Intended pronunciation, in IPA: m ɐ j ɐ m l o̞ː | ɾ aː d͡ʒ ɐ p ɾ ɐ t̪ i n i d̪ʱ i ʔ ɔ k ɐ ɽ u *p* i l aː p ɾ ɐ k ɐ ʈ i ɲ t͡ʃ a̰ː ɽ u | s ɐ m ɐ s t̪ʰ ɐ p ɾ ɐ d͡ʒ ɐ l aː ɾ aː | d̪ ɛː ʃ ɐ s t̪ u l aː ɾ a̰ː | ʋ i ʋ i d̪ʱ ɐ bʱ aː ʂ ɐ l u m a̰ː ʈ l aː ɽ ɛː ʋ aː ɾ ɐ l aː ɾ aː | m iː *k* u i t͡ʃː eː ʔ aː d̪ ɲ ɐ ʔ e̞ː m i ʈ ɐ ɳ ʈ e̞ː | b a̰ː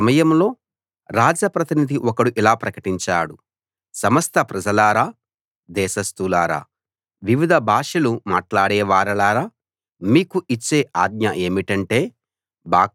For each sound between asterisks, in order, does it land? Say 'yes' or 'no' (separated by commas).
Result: no, yes